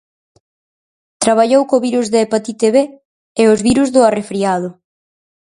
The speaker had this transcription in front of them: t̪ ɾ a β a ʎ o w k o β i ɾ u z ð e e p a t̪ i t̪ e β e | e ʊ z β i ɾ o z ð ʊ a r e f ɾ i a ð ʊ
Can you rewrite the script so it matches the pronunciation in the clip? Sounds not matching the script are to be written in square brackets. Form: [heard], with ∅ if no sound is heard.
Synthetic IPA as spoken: t̪ ɾ a β a ʎ o w k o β i ɾ u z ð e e p a t̪ i t̪ e β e | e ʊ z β i ɾ [u] z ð ʊ a r e f ɾ i a ð ʊ